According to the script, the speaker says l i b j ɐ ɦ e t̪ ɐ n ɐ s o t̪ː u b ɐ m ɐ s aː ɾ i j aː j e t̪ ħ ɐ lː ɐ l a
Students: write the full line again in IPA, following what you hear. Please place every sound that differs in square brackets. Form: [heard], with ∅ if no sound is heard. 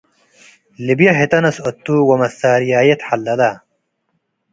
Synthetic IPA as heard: l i b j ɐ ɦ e t̪ ɐ n ɐ s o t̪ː u [w] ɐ m ɐ s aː ɾ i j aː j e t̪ ħ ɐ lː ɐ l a